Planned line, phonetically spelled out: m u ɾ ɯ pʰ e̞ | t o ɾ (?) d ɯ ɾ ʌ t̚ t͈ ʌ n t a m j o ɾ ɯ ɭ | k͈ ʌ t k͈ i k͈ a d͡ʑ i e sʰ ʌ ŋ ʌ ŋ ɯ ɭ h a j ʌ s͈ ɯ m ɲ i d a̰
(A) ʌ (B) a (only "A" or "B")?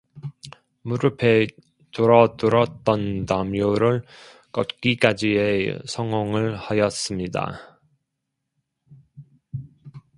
A